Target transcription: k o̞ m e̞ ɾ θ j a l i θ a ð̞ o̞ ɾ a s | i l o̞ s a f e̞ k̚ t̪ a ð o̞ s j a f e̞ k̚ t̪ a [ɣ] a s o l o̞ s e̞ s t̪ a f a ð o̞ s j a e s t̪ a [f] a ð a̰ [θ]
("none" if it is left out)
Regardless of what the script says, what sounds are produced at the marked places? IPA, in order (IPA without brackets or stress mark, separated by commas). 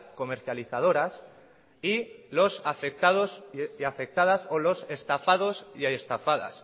ð, f, s